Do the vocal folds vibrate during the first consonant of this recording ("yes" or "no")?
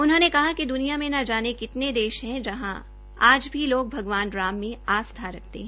yes